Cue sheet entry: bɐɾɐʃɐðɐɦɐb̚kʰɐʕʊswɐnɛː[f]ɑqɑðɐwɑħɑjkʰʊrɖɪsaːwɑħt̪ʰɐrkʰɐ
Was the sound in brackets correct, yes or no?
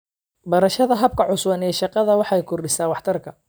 no